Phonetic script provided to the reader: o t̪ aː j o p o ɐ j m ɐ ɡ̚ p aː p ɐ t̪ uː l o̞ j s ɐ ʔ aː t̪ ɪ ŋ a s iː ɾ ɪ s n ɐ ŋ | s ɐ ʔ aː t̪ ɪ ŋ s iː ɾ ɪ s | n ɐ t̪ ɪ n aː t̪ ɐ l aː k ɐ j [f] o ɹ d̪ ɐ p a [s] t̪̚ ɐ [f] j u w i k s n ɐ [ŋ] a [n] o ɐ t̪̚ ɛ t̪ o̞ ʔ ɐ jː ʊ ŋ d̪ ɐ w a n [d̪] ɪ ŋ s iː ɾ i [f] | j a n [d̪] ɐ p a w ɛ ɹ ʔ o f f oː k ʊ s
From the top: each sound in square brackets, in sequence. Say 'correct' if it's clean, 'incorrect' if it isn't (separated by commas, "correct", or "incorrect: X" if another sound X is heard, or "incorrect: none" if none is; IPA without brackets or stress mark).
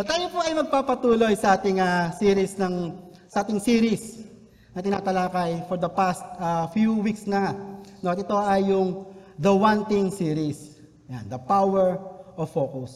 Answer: correct, correct, correct, correct, correct, incorrect: t̪, incorrect: s, correct